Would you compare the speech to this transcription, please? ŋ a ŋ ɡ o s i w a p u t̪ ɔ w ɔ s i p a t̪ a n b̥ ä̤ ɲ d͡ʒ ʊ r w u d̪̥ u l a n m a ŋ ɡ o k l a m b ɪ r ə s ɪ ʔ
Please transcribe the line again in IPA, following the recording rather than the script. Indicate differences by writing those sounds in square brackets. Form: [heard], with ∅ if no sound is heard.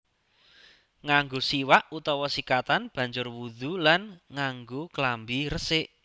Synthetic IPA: ŋ a ŋ ɡ o s i w a [ʔ] u t̪ ɔ w ɔ s i [k] a t̪ a n b̥ ä̤ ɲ d͡ʒ ʊ r w u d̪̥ u l a n [ŋ] a ŋ ɡ o k l a m b [i] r ə s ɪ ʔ